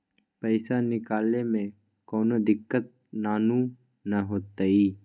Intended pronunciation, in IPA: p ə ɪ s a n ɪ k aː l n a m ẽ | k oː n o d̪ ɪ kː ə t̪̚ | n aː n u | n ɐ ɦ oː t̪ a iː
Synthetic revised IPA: p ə ɪ s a n ɪ k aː l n e m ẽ | k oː n o d̪ ɪ kː ə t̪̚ | n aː n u | n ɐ ɦ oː t̪ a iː